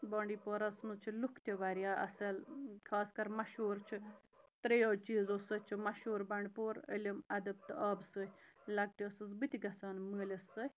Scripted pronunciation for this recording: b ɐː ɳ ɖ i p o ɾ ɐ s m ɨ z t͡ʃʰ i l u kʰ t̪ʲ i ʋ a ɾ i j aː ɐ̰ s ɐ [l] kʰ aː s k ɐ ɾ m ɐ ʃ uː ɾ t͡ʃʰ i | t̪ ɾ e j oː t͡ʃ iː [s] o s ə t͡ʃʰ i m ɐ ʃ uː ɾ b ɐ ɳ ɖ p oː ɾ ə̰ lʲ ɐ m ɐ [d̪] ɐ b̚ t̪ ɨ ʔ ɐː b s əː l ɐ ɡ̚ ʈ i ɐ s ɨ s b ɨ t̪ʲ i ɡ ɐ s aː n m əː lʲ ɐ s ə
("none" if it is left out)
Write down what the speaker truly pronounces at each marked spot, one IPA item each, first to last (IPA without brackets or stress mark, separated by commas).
l, z, d̪